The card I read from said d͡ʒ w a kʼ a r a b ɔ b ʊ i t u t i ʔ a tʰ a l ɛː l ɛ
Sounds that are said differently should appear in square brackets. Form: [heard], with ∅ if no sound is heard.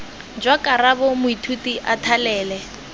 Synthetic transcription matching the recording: d͡ʒ w a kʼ a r a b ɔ [m] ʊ i [tʰ] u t i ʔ a tʰ a l ɛː l ɛ

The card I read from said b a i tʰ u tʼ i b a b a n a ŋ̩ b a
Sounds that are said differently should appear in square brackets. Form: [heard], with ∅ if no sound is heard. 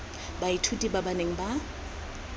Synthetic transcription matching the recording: b a i tʰ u tʼ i b a b a n [e] ŋ̩ b a

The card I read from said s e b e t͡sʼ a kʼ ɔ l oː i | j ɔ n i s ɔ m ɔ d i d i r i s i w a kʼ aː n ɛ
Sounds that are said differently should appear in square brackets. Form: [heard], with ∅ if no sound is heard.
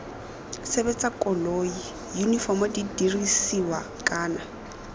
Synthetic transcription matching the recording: s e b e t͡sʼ a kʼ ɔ l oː i | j [u] n i [f] ɔ m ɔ d i d i r i s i w a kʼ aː n [a]

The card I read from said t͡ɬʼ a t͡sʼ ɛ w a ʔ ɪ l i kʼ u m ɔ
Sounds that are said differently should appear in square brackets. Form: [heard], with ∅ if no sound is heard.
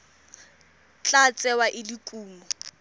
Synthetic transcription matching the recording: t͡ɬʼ a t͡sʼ ɛ w a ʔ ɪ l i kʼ [uː] m ɔ

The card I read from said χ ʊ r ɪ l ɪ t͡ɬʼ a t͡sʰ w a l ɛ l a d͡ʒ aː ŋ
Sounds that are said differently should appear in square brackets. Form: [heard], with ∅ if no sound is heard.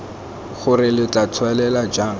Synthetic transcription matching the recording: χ ʊ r ɪ l ɪ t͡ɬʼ a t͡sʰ w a l ɛ l a d͡ʒ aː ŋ

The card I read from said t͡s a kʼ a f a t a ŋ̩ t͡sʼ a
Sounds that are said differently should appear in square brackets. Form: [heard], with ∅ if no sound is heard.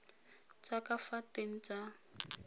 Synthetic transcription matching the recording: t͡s a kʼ a f a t [e] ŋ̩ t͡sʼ a

